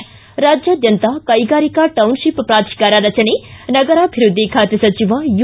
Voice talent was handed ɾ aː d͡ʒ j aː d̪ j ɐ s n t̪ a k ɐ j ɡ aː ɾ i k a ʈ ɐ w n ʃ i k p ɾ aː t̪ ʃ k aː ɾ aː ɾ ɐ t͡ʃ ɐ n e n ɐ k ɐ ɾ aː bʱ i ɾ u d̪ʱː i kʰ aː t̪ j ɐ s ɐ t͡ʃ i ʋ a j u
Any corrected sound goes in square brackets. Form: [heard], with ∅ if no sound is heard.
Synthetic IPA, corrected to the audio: ɾ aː d͡ʒ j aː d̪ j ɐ [∅] n t̪ a k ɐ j ɡ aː ɾ i k a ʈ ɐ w n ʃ i [p] p ɾ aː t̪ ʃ k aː ɾ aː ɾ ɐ t͡ʃ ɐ n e n ɐ [ɡ] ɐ ɾ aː bʱ i ɾ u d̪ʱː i kʰ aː t̪ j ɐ s ɐ t͡ʃ i ʋ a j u